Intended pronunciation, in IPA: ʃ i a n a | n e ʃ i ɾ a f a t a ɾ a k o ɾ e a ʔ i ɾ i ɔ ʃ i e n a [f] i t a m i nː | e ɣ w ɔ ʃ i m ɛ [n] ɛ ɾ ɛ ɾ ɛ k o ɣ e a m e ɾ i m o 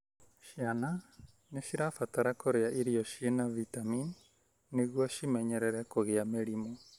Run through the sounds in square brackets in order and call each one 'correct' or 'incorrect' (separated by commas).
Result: incorrect, incorrect